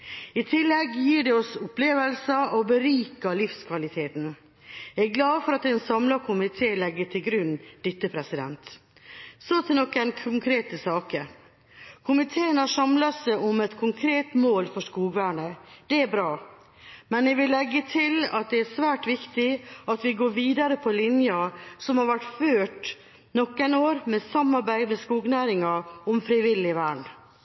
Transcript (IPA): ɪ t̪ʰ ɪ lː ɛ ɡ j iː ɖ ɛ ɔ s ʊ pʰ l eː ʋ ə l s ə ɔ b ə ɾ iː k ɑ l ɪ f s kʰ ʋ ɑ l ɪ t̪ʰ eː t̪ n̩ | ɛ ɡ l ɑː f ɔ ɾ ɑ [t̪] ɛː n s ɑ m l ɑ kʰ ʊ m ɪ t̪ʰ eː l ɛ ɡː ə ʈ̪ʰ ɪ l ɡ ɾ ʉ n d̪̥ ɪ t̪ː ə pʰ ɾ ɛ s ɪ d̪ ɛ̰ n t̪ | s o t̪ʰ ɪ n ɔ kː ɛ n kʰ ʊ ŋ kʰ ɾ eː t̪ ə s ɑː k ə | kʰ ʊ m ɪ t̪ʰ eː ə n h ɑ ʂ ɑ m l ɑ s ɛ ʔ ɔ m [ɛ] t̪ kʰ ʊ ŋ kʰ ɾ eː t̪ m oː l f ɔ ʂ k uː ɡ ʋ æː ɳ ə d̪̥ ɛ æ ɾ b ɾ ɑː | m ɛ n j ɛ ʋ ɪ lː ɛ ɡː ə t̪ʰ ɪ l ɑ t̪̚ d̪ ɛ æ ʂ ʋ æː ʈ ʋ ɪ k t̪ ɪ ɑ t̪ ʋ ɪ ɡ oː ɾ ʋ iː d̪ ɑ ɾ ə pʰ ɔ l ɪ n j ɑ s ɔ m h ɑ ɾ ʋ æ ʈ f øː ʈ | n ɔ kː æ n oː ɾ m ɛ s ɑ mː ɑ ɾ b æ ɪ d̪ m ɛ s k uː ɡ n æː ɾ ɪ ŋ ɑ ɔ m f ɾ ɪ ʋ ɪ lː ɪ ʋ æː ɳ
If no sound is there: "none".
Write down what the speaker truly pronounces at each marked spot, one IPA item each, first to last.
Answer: t̪, ɛ

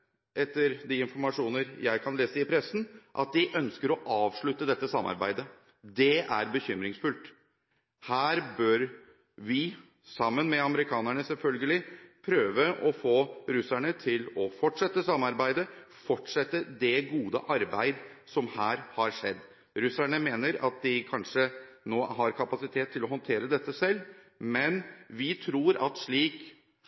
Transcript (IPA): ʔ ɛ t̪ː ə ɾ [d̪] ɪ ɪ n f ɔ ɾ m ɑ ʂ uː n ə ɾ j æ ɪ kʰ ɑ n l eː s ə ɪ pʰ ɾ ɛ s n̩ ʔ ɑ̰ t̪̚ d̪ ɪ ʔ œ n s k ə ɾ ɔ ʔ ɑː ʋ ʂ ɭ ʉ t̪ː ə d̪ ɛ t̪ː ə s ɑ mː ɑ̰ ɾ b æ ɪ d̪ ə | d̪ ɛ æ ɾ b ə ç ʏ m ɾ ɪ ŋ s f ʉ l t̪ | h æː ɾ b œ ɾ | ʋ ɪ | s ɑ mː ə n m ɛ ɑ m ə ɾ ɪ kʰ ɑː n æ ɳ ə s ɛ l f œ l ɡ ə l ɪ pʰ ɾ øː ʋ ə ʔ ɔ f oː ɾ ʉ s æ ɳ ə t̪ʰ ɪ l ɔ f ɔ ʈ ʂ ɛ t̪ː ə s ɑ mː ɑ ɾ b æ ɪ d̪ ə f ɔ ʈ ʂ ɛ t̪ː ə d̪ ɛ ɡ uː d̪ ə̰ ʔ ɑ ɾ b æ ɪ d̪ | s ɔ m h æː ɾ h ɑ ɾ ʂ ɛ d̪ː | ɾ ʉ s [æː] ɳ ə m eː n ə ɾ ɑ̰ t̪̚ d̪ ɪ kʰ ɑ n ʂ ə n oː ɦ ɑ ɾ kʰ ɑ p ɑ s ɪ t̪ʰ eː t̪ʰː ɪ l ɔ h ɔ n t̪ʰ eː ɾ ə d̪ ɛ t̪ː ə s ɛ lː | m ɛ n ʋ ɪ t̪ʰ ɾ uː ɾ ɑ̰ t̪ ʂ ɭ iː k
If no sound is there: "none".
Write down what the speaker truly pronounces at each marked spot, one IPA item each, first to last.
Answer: d̪, æ

